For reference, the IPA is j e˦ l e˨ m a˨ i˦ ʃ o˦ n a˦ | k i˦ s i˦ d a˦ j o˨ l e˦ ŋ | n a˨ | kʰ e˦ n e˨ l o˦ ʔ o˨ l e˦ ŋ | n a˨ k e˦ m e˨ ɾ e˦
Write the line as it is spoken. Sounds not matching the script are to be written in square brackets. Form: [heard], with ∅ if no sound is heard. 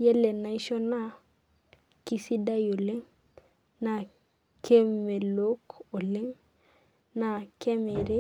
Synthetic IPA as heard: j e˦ l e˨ [n] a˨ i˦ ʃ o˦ n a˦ | k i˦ s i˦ d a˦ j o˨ l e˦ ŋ | n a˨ | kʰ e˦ [m] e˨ l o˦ [k] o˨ l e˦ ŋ | n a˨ k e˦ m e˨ ɾ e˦